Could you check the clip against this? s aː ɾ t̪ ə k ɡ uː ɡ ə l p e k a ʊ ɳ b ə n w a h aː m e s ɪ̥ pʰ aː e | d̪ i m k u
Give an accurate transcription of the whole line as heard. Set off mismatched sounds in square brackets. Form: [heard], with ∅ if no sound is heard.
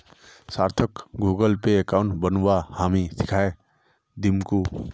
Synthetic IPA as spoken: s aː ɾ [t̪ʰ] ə k ɡ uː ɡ ə l p e k a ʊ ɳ b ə n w a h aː m [i] s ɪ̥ [kʰ] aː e | d̪ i m k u